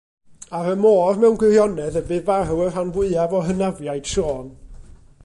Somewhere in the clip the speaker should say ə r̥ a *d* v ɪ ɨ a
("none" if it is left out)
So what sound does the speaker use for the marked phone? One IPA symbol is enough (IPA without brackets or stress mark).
n